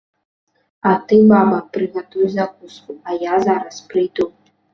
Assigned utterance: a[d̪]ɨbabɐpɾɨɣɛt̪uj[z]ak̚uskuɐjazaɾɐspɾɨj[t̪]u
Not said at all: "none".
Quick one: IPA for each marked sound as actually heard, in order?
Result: t̪, z, d̪

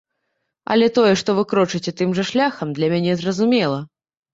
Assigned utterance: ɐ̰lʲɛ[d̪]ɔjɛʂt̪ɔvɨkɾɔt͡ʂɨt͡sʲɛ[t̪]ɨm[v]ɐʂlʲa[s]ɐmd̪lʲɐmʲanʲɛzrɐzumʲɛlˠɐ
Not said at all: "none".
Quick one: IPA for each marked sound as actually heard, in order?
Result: t̪, t̪, ʐ, x

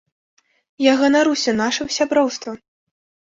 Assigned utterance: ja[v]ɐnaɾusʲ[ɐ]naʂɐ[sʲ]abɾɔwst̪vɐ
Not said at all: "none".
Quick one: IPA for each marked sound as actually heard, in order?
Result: ɣ, ɐ, sʲ

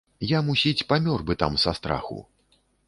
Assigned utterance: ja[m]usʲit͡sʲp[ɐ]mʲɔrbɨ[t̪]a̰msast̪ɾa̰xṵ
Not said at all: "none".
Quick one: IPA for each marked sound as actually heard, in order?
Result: m, a, t̪

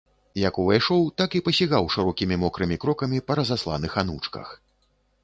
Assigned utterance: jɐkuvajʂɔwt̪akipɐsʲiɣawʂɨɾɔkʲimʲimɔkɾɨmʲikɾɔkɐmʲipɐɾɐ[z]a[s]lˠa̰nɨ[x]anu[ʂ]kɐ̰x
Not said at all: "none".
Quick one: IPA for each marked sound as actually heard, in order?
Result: z, s, x, t͡ʂ

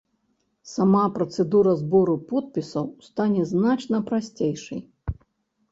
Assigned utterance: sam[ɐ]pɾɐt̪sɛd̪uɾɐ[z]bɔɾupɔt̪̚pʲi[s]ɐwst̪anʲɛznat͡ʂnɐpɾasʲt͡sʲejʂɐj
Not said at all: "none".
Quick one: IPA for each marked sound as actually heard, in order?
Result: a, z, s

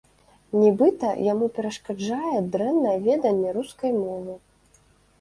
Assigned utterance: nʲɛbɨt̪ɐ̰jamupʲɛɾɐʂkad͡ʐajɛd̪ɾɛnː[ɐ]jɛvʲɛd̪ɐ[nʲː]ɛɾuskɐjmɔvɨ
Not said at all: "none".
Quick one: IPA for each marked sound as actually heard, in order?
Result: ɐ, nʲː

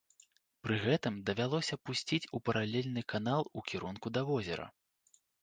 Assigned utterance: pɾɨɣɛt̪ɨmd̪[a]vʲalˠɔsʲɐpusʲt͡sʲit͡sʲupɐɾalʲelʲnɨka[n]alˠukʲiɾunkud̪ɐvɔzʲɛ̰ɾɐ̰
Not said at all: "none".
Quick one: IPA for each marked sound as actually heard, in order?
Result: ɐ, n

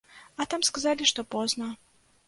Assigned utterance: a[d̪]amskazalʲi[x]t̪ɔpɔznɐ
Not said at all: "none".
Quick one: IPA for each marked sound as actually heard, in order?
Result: t̪, ʂ

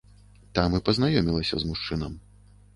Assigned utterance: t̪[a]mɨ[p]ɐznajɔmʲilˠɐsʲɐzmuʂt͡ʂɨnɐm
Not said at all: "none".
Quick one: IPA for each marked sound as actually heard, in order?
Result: a, p

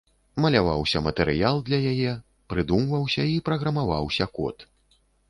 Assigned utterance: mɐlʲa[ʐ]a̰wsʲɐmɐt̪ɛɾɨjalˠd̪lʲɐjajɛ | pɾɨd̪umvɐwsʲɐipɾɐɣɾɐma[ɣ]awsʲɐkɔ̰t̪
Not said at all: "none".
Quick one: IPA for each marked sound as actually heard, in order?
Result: v, v

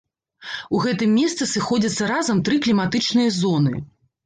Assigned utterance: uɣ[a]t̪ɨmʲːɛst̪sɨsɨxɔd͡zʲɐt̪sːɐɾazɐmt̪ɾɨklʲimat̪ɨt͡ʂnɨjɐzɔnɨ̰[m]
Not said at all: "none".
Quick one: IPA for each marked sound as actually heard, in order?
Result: ɛ, none

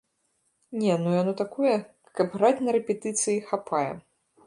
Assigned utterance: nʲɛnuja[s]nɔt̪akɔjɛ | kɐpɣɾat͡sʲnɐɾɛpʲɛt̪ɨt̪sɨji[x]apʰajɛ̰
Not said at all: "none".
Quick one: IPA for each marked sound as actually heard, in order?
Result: none, x

